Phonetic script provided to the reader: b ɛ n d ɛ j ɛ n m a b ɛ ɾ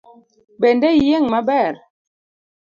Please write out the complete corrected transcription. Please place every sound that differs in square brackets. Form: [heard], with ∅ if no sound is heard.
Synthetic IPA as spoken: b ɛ n d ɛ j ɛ [ŋ] m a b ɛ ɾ